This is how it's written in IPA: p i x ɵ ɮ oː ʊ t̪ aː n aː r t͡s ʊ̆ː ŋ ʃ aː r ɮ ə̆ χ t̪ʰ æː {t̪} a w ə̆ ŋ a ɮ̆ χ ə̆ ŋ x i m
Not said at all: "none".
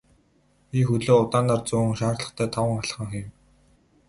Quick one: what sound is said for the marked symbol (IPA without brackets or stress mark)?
t̪ʰ